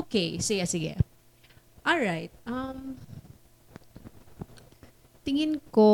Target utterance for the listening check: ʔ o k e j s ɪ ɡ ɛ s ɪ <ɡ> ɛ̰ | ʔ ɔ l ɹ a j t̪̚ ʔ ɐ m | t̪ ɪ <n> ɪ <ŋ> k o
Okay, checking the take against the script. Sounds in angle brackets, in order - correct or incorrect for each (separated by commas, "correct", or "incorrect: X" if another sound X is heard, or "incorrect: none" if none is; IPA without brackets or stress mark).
correct, incorrect: ŋ, incorrect: n